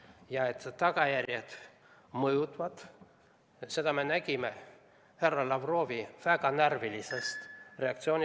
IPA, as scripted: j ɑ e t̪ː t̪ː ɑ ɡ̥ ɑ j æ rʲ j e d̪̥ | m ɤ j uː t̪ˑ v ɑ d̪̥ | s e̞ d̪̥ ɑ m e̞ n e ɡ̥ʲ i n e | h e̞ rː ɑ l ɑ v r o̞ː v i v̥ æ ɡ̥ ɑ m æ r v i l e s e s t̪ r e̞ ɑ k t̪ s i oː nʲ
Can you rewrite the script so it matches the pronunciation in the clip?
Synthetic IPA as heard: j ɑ e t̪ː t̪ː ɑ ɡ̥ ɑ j æ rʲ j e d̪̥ | m ɤ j u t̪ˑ v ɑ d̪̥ | s e̞ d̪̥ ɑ m e̞ n æ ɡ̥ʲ i m e | h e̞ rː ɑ l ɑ v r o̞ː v i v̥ æ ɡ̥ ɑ n æ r v i l i s e s t̪ r e̞ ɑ k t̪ s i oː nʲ